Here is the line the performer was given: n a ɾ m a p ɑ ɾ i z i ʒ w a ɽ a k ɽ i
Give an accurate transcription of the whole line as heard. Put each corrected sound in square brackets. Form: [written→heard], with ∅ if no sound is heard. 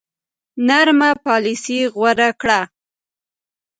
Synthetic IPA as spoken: n a ɾ m a p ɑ [ɾ→l] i [z→s] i [ʒ→ɣ] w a [ɽ→ɾ] a k ɽ [i→a]

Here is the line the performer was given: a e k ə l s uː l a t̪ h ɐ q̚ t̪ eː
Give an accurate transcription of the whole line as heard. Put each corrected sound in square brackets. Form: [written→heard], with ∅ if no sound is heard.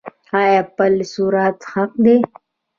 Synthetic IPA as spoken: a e [k→p] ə l s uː [l→ɾ] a t̪ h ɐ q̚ [t̪→d̪] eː

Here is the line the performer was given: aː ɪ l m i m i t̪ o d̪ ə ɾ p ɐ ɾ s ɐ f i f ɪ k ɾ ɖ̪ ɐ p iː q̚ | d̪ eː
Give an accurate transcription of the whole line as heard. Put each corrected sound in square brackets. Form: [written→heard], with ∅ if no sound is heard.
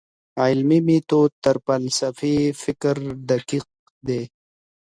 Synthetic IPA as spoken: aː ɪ l m i m i t̪ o [d̪→t̪] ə ɾ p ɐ [ɾ→l] s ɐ f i f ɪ k ɾ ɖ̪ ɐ [p→k] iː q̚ | d̪ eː

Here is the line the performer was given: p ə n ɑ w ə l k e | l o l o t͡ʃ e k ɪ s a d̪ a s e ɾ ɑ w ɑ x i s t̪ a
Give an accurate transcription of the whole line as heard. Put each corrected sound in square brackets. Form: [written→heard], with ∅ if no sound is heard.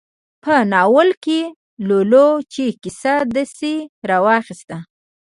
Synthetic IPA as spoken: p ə n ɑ w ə l k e | l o l o t͡ʃ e k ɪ s a d̪ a s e ɾ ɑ w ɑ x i s t̪ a

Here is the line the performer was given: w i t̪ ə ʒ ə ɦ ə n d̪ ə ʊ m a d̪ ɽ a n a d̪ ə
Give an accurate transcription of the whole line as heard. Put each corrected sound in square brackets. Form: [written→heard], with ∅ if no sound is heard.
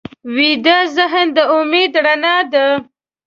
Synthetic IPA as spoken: w i [t̪→d̪] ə [ʒ→z] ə ɦ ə n d̪ ə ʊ m [a→e] d̪ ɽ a n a d̪ ə

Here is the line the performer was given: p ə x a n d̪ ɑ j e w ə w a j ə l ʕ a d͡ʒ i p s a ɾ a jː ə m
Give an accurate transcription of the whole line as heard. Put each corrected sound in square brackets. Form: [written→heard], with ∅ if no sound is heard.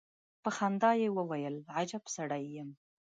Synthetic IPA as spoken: p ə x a n d̪ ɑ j e w ə w a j ə l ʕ a d͡ʒ [i→a] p s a [ɾ→ɽ] a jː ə m

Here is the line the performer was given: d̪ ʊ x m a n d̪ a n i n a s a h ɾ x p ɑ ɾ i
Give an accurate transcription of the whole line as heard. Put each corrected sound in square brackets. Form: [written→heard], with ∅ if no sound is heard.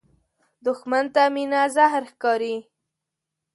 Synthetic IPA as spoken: d̪ ʊ x m a n [d̪→t̪] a [n→m] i n a [s→z] a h ɾ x [p→k] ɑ ɾ i

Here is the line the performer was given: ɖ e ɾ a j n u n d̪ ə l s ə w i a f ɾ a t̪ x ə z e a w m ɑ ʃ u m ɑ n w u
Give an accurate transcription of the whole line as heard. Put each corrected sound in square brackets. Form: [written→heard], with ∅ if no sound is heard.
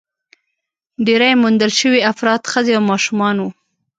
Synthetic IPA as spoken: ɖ e ɾ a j [n→m] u n d̪ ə l [s→ʃ] ə w i a f ɾ [a→ɑ] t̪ x ə z e a w m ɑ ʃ u m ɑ n w u

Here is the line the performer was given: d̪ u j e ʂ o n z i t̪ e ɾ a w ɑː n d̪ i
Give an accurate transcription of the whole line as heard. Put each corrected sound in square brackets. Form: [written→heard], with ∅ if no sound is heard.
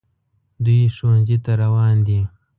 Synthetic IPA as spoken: d̪ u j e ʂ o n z i t̪ [e→a] ɾ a w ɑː n d̪ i

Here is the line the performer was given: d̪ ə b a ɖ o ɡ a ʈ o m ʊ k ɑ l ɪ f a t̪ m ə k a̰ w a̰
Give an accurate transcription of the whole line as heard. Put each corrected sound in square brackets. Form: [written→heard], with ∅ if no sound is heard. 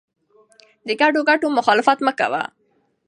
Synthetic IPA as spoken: d̪ ə [b→ɡ] a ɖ o ɡ a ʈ o m ʊ [k→x] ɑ l ɪ f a t̪ m ə k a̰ w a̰

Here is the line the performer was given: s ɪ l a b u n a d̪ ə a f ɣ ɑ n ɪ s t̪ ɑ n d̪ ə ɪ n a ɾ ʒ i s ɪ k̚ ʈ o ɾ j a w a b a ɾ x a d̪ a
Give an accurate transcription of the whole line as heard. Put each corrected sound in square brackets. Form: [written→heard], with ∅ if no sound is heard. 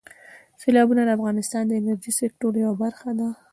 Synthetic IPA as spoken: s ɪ l [a→ɑ] b u n a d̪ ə a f ɣ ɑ n ɪ s t̪ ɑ n d̪ ə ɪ n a ɾ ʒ i s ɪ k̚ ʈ o ɾ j a w a b a ɾ x a d̪ a

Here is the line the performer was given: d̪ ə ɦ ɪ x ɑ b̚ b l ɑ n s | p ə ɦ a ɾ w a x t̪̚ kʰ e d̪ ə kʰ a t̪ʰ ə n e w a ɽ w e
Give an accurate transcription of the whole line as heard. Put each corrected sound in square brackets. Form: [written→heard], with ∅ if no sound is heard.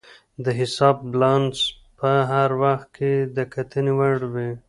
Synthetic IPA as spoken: d̪ ə ɦ ɪ [x→s] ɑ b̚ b l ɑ n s | p ə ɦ a ɾ w a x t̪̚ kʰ e d̪ ə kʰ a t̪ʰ ə n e w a ɽ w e

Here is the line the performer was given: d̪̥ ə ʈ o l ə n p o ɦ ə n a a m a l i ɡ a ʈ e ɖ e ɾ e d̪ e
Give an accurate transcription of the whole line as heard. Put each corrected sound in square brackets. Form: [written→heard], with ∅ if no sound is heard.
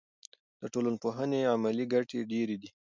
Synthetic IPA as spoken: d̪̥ ə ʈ o l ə n p o ɦ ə n [a→e] a m a l i ɡ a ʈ e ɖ e ɾ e d̪ [e→i]

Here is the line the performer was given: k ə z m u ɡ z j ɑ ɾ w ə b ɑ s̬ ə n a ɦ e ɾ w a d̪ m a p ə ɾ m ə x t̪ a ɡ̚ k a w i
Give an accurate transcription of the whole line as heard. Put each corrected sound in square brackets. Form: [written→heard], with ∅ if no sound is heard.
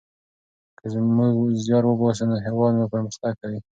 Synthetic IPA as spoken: k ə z m u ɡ z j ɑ ɾ w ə b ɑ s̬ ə n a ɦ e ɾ w [a→ɑ] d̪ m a p ə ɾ m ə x t̪ a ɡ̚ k a w i

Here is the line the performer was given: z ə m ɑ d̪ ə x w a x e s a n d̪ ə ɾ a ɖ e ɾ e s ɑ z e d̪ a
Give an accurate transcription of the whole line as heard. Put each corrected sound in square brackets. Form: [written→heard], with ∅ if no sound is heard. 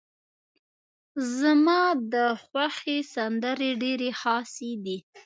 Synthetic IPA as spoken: z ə m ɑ d̪ ə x w a x e s a n d̪ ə ɾ [a→e] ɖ e ɾ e [s→x] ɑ [z→s] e d̪ [a→i]

